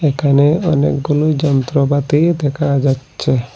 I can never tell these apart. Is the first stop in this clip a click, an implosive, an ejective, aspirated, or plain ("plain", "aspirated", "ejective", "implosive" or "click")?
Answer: aspirated